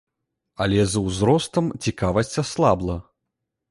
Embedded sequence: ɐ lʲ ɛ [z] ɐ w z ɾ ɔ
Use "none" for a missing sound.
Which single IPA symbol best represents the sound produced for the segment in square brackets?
z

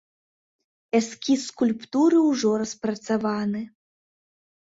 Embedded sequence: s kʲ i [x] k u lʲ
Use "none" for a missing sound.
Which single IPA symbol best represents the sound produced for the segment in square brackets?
s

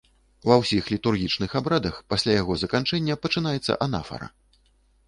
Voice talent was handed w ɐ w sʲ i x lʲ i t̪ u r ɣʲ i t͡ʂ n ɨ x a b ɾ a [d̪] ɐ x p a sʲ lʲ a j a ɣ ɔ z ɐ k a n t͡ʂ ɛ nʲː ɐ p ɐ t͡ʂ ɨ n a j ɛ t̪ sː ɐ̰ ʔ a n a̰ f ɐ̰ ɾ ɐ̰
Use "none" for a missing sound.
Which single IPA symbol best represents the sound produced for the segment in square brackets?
d̪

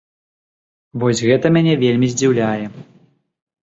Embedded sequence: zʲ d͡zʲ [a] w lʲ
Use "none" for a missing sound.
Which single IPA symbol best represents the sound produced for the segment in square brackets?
i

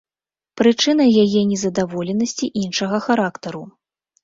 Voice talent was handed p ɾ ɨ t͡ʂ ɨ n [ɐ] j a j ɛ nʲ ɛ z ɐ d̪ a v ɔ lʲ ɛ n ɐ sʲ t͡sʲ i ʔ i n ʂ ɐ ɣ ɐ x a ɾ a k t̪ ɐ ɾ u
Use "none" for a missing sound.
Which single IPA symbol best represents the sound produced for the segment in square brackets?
ɐ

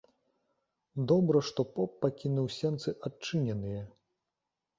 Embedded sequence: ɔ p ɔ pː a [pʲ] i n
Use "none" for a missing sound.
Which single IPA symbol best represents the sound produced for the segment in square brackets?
kʲ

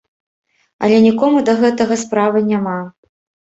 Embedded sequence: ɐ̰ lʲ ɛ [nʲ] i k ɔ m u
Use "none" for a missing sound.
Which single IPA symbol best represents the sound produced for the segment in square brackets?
nʲ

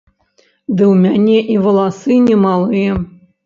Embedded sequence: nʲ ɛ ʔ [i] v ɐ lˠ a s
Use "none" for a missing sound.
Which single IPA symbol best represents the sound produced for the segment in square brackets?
i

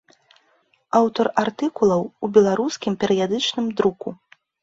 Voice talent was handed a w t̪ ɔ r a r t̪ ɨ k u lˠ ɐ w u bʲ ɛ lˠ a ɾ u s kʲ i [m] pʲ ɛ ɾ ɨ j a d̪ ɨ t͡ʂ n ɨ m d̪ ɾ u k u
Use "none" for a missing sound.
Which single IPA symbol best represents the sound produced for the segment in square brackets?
m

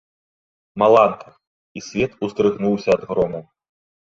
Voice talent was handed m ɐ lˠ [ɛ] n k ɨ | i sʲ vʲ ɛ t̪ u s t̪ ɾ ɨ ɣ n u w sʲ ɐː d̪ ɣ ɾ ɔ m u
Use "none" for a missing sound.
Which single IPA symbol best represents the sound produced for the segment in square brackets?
a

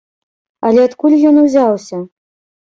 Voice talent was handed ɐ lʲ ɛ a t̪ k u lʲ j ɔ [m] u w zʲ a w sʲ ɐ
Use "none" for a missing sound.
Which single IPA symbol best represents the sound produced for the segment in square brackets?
n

